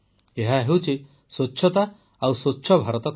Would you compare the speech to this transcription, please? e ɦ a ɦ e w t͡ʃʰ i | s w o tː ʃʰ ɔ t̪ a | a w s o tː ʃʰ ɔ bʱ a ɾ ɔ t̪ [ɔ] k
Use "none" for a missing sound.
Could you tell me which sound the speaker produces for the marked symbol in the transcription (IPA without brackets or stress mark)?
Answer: ɔ